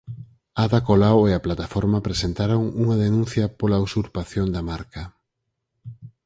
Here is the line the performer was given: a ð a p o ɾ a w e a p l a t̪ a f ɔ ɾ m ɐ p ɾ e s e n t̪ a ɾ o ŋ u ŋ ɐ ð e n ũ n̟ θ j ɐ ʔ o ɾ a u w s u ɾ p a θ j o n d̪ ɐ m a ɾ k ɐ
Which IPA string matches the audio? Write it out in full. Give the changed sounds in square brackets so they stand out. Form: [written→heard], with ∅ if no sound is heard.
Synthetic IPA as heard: a ð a [p→k] o [ɾ→l] a w e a p l a t̪ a f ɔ ɾ m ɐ p ɾ e s e n t̪ a ɾ o ŋ u ŋ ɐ ð e n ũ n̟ θ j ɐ [ʔ→p] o [ɾ→l] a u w s u ɾ p a θ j o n d̪ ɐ m a ɾ k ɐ